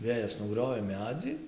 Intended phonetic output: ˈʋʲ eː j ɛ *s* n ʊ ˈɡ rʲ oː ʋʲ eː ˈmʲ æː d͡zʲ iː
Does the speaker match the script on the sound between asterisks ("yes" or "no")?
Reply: yes